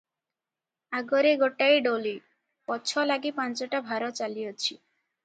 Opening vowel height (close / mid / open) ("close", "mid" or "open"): open